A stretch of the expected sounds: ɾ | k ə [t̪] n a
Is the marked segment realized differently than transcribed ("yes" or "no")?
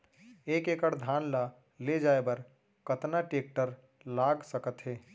no